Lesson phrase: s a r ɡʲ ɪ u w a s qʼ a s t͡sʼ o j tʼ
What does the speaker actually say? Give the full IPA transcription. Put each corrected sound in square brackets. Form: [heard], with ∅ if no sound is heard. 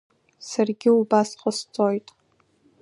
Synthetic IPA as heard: s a r ɡʲ ɪ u [b] a s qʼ [ə] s t͡sʼ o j tʼ